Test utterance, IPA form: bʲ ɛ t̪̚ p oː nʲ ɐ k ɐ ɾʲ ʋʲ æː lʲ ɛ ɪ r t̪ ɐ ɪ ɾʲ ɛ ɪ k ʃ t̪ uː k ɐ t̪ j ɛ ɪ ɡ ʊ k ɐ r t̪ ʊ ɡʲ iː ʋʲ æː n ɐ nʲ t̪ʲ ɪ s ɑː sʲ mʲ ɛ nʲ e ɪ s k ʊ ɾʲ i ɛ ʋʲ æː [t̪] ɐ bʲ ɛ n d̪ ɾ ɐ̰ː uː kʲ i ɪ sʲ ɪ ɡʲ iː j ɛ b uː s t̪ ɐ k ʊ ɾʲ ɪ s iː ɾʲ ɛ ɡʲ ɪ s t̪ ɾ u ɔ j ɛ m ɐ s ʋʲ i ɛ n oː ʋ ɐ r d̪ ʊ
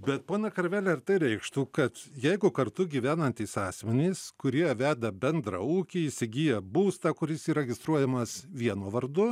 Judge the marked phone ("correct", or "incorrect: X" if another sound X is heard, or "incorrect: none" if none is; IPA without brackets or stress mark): incorrect: d̪